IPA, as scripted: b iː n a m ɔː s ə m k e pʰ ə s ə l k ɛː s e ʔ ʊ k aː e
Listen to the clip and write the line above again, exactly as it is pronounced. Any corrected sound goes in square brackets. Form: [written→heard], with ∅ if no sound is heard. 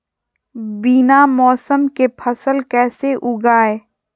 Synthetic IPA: b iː n a m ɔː s ə m k e pʰ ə s ə l k ɛː s e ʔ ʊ [k→ɡ] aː e